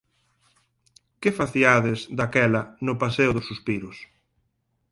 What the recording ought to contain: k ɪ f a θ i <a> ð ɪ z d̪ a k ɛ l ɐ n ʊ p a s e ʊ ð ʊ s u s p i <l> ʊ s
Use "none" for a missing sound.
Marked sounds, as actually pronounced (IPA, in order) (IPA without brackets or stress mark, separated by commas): a, ɾ